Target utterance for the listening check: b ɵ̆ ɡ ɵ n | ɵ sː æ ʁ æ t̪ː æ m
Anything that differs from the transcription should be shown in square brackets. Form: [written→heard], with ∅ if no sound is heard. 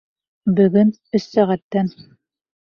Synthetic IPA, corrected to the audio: b ɵ̆ ɡ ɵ n | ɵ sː æ ʁ æ t̪ː æ [m→n]